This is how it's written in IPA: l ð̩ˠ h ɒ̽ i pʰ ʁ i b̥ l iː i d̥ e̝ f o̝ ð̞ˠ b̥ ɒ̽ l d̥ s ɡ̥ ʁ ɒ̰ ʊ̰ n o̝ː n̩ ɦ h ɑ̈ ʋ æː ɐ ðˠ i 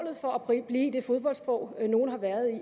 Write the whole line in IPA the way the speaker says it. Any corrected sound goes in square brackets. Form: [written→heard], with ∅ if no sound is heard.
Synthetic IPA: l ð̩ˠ [h→f] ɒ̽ [i→æ] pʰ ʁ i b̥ l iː i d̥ e̝ f o̝ ð̞ˠ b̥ ɒ̽ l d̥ s [ɡ̥→b̥] ʁ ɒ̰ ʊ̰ n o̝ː n̩ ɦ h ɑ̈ ʋ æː ɐ ðˠ i